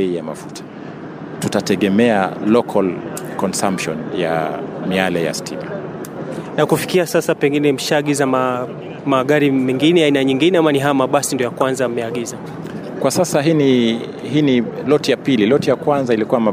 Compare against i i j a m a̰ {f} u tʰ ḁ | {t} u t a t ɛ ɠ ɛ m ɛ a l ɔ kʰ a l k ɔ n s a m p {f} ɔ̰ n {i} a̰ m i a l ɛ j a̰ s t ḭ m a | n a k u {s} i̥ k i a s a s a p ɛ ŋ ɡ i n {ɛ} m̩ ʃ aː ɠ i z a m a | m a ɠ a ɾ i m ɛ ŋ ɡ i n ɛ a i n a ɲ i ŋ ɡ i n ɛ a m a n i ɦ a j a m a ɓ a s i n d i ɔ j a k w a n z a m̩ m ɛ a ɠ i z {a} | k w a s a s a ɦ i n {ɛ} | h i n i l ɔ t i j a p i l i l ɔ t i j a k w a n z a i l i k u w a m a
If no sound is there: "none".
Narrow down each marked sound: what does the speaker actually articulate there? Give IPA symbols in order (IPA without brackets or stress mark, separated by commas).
f, t, ʃ, j, f, ɛ, a, i